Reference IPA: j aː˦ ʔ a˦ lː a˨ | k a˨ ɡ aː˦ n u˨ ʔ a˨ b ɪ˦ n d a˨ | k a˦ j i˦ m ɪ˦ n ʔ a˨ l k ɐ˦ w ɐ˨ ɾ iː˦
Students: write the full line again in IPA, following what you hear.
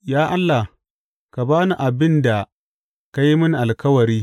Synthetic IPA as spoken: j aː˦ ʔ a˦ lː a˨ | k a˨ b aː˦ n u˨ ʔ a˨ b ɪ˦ n d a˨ | k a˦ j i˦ m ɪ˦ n ʔ a˨ l k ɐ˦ w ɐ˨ ɾ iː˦